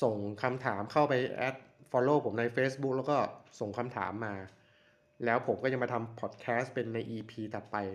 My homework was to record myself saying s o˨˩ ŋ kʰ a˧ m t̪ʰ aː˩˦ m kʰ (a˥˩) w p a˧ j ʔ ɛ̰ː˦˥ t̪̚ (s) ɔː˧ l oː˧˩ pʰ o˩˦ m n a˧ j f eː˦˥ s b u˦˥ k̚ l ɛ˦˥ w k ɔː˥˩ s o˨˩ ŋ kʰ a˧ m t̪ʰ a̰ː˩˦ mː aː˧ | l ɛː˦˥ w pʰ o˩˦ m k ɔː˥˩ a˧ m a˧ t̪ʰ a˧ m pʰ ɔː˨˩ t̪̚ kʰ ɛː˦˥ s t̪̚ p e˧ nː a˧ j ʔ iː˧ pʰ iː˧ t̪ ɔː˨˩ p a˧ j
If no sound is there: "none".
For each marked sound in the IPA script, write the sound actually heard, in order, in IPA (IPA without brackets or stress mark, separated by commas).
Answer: a˥˩, f